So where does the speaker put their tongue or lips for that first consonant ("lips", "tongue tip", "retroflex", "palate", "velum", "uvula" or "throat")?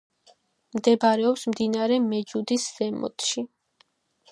lips